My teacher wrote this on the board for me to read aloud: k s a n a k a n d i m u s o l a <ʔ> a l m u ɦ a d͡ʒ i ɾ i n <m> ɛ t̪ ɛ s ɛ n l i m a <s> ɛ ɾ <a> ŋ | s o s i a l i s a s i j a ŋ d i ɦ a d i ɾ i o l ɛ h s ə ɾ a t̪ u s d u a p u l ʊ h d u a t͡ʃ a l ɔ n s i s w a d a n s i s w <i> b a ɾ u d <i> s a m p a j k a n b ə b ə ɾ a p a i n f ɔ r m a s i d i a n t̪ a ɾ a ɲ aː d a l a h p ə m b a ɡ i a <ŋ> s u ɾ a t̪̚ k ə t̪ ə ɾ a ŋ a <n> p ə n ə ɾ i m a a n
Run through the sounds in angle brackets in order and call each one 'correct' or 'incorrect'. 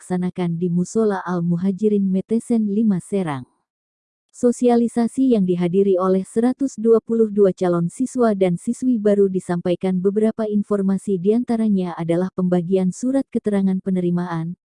correct, correct, correct, correct, correct, correct, incorrect: n, correct

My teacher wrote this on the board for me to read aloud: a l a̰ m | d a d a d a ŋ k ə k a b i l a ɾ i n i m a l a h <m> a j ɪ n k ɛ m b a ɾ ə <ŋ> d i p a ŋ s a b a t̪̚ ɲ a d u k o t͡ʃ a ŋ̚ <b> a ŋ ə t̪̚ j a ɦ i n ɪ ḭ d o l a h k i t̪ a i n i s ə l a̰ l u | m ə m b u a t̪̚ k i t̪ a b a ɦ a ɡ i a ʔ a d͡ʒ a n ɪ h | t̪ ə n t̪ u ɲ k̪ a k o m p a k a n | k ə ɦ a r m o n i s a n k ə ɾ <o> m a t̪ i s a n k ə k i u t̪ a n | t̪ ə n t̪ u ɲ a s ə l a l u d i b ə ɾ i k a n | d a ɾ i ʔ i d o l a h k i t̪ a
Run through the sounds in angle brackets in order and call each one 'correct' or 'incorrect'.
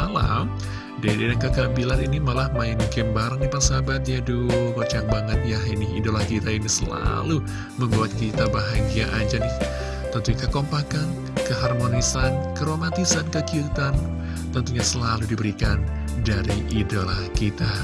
correct, correct, correct, correct

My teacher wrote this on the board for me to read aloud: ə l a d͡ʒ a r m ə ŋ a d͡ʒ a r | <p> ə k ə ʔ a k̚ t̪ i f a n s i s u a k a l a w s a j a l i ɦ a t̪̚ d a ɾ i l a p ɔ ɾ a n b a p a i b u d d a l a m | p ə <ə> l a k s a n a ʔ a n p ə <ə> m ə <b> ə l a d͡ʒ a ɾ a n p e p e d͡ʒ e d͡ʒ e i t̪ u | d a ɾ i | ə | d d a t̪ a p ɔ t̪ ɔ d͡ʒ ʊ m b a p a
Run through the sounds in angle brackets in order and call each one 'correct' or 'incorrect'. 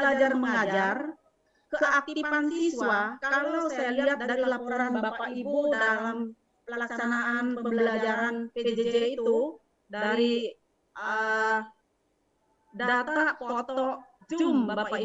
incorrect: k, correct, correct, correct

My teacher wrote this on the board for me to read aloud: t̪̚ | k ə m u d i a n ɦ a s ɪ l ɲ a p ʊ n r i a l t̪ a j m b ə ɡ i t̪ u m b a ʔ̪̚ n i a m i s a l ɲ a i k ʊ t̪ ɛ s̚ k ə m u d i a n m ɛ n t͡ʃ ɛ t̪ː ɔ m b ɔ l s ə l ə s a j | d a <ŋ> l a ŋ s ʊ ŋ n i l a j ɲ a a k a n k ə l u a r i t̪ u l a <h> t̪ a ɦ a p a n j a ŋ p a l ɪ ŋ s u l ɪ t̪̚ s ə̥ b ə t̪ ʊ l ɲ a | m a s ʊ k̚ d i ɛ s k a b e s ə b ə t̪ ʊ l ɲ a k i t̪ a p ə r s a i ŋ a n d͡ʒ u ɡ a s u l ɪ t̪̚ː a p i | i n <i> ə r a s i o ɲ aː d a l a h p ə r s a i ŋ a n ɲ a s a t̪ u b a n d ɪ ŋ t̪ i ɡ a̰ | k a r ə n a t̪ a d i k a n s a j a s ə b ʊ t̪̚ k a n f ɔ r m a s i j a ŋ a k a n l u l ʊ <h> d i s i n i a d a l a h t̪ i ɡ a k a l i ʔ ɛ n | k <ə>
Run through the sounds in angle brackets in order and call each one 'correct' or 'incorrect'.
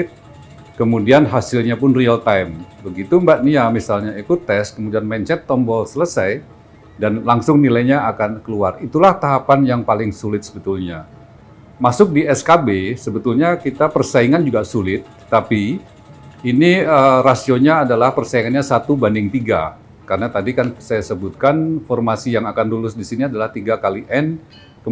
incorrect: n, correct, correct, incorrect: s, correct

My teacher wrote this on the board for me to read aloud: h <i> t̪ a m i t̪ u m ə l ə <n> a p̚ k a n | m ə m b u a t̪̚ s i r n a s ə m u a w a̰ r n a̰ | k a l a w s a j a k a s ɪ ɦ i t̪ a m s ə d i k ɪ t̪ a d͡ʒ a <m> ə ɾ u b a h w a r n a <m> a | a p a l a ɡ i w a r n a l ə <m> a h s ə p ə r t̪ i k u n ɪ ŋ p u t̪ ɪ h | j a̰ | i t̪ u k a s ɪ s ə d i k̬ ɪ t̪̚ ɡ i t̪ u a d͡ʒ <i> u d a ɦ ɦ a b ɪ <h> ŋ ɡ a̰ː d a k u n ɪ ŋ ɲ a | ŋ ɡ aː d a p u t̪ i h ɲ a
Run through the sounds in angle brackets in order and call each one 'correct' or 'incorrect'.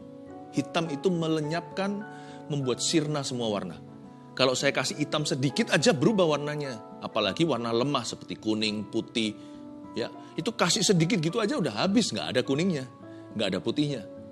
correct, incorrect: ɲ, incorrect: b, incorrect: ɲ, correct, incorrect: a, incorrect: s

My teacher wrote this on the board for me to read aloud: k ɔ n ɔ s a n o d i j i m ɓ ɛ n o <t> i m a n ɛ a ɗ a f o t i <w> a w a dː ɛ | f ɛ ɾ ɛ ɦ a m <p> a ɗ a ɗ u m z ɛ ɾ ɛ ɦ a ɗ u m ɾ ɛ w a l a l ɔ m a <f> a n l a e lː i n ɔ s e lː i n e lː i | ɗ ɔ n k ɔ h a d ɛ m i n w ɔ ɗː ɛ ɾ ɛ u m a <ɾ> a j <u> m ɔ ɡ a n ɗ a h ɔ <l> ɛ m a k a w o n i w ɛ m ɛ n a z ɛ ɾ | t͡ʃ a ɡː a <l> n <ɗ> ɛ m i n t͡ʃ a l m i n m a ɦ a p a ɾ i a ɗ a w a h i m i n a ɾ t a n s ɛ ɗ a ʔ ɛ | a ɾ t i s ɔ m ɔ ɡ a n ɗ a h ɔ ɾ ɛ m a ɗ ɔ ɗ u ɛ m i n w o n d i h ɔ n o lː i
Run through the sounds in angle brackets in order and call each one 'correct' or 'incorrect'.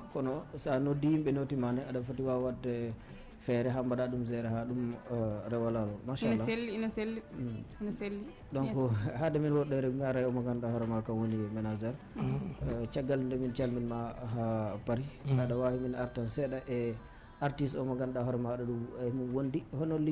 correct, correct, incorrect: b, incorrect: ʃ, correct, incorrect: ɔ, incorrect: ɾ, correct, incorrect: d

